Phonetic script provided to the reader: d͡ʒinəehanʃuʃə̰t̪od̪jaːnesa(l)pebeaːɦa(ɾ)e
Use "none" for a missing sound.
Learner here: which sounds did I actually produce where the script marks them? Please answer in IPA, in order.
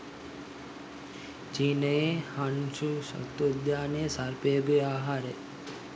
ɾ, ɾ

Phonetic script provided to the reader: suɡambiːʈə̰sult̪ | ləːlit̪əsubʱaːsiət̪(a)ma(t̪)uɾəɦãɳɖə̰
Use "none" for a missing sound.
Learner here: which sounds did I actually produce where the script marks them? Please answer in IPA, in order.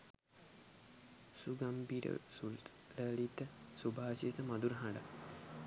ə, d̪

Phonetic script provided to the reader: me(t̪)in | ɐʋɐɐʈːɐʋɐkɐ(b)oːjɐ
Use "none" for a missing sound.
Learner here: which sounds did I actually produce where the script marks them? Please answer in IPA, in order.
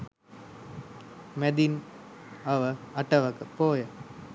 d̪, p

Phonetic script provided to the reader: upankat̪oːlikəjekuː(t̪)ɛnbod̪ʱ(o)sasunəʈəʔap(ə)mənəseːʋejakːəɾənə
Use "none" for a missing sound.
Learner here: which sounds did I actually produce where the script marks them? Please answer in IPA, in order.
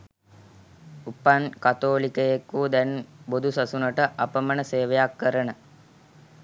d̪, u, ə

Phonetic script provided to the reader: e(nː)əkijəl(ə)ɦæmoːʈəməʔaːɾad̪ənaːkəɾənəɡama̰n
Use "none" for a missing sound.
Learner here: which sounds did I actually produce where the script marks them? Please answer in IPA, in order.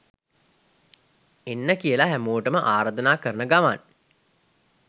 nː, a

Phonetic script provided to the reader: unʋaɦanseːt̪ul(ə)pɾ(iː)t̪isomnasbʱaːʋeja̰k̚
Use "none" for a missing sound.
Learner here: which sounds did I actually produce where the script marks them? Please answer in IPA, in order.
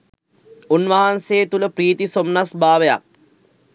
ə, iː

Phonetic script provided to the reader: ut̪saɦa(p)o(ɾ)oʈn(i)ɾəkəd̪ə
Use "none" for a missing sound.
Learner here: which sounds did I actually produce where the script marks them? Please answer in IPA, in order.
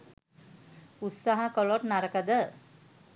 k, l, a

